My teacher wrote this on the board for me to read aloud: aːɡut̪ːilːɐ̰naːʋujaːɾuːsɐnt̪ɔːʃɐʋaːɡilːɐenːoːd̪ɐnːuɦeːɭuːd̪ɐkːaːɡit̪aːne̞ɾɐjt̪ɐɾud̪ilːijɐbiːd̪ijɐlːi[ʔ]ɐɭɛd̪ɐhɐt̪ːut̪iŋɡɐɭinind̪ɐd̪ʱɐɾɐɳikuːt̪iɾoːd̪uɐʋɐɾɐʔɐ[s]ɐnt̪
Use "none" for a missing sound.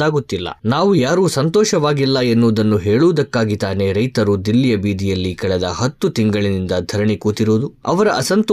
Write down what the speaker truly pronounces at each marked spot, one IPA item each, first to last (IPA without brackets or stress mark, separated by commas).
k, s